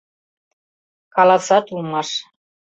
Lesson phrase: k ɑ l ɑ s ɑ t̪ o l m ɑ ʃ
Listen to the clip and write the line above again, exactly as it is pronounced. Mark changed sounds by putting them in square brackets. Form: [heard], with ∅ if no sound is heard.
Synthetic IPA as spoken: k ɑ l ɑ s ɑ t̪ [u] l m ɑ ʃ